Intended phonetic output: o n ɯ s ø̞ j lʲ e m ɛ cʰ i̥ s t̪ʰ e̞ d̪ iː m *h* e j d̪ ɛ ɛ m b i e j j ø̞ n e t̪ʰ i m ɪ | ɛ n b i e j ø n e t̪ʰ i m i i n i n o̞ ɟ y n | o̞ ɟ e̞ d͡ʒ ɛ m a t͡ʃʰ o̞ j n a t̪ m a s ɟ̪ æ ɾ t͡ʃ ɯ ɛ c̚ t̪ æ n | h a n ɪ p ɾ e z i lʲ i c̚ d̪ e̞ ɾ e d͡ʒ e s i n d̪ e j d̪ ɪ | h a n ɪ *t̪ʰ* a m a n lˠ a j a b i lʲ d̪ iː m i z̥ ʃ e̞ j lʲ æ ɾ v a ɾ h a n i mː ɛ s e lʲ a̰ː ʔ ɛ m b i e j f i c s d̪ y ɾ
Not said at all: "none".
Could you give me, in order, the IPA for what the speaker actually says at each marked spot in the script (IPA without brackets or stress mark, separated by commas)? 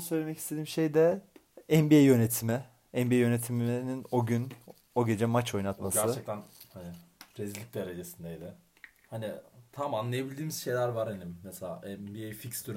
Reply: ʃ, t̪ʰ